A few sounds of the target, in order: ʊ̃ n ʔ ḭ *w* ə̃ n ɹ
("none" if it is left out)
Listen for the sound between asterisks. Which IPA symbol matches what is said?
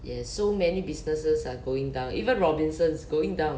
v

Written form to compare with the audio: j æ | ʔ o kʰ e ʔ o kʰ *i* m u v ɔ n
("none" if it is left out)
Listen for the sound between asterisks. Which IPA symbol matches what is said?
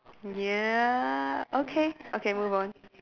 e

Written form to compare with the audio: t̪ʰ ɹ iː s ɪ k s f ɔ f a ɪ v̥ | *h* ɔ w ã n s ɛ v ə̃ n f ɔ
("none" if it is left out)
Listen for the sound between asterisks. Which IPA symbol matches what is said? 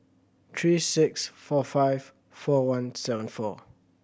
f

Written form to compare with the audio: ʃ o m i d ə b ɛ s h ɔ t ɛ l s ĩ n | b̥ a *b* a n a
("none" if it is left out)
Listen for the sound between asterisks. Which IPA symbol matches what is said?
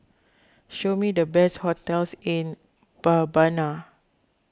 b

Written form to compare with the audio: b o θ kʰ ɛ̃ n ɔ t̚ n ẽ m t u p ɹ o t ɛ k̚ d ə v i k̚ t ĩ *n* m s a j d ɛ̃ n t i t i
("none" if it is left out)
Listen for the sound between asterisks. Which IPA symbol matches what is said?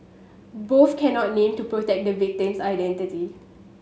none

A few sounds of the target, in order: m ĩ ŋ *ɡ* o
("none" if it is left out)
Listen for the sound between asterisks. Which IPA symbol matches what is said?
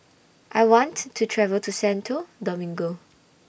ɡ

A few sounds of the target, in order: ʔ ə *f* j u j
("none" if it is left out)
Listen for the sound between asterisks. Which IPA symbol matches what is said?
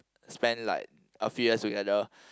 f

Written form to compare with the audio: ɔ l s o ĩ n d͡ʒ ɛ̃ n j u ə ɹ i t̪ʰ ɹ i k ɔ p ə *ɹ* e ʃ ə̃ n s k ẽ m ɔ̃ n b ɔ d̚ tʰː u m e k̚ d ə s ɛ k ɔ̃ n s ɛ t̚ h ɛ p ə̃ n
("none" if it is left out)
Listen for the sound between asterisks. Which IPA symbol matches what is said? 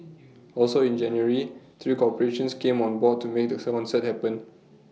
ɹ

